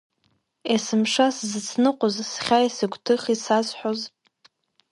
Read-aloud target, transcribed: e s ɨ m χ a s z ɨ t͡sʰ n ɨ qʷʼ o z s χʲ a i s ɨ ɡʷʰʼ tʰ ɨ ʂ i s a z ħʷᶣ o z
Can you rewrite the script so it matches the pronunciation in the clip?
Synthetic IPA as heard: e s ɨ m ʂ a s z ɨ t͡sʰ n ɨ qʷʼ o z s χʲ a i s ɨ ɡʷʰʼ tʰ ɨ χ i s a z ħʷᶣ o z